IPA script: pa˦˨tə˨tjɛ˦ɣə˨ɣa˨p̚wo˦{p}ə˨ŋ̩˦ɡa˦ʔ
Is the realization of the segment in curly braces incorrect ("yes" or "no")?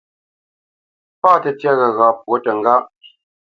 yes